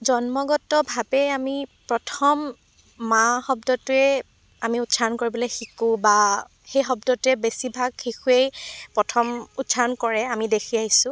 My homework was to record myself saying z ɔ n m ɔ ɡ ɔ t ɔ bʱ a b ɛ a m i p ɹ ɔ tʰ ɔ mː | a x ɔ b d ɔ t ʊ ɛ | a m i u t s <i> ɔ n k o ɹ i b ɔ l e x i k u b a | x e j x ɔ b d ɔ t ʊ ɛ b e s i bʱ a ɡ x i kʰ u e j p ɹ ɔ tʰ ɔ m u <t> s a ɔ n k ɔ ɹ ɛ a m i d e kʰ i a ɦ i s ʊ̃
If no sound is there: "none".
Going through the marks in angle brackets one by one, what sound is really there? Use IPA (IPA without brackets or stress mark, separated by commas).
a, t